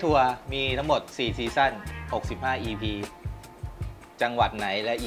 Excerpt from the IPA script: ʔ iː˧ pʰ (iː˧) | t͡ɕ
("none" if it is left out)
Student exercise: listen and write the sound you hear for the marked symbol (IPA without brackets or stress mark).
iː˧